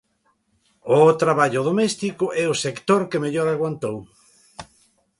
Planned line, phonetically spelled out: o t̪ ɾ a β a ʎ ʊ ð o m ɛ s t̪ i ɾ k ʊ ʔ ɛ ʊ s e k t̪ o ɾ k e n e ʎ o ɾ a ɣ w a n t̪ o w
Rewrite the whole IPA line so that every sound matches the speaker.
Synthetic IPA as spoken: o t̪ ɾ a β a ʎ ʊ ð o m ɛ s t̪ i k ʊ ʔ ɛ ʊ s e k t̪ o ɾ k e m e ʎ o ɾ a ɣ w a n t̪ o w